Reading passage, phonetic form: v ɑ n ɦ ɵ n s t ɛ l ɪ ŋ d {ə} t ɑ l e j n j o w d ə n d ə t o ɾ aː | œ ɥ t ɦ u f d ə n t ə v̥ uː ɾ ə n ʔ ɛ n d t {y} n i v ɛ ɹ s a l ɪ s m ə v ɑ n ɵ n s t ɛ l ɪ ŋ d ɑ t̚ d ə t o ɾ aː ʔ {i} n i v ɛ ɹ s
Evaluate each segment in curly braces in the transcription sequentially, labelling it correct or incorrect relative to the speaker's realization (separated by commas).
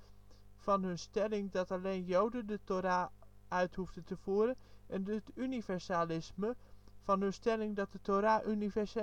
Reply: incorrect, correct, incorrect